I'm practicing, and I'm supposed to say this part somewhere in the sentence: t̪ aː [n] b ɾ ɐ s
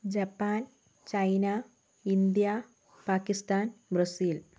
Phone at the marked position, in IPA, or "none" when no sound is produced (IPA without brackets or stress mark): n